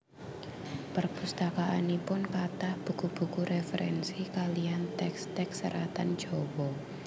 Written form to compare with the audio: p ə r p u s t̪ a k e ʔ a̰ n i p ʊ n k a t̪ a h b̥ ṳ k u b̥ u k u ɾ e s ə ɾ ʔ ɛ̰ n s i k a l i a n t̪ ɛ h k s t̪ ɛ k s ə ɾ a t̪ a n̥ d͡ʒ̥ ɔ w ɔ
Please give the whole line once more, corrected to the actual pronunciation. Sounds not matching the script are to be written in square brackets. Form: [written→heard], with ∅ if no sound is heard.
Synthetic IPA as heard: p ə r p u s t̪ a k [e→a] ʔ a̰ n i p ʊ n k a t̪ a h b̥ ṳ k u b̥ u k u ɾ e [s→f] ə ɾ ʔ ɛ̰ n s i k a l i a n t̪ ɛ [h→∅] k s t̪ ɛ k s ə ɾ a t̪ a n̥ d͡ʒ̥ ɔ w ɔ